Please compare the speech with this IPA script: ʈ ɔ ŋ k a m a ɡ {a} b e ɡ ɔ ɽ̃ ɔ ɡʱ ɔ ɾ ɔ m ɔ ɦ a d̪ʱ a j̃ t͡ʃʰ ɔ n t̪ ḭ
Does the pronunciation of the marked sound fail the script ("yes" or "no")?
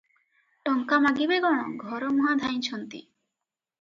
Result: yes